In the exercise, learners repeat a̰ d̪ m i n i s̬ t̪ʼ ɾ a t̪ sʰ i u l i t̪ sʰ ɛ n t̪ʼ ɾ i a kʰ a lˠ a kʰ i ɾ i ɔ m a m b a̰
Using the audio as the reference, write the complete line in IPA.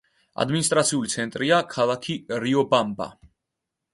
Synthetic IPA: a̰ d̪ m i n i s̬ t̪ʼ ɾ a t̪ sʰ i u l i t̪ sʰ ɛ n t̪ʼ ɾ i a kʰ a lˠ a kʰ i ɾ i ɔ b a m b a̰